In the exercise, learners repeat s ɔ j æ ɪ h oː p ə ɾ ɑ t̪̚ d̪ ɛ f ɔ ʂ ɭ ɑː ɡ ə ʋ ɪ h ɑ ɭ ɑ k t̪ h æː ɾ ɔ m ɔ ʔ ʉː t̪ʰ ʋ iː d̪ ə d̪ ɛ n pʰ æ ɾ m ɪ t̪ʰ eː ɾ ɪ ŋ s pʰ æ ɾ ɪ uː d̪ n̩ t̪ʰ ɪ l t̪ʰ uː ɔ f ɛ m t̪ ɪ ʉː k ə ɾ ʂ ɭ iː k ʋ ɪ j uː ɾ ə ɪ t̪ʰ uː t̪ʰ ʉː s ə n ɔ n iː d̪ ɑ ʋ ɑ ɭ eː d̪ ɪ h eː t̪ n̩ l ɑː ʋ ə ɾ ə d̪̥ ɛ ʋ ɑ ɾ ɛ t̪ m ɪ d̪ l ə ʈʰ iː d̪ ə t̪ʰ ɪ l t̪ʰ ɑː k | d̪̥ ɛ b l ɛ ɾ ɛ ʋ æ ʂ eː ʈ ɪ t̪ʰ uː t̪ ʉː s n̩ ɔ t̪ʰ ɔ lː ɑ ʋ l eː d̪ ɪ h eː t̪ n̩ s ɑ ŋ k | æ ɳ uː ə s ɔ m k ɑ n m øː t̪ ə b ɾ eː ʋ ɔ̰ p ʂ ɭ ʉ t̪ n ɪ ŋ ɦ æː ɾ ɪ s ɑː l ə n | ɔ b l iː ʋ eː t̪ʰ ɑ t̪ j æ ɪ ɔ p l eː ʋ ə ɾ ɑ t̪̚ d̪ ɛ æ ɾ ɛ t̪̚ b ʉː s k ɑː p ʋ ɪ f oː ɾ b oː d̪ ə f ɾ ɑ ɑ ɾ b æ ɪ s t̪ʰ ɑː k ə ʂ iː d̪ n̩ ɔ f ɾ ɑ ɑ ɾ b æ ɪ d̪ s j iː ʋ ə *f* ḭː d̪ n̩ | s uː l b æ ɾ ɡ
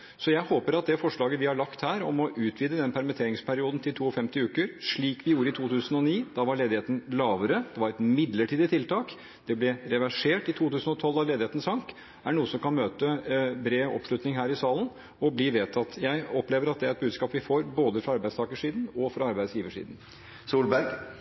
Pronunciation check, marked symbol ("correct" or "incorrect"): incorrect